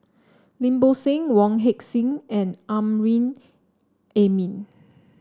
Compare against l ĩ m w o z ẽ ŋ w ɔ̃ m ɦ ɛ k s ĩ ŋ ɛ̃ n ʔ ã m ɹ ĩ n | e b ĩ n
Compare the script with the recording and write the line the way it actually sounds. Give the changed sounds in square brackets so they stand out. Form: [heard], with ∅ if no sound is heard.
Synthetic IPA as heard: l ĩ m [b] o [s] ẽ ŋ w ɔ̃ [ŋ] ɦ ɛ k s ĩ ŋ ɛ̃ n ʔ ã m ɹ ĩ n | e [m] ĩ n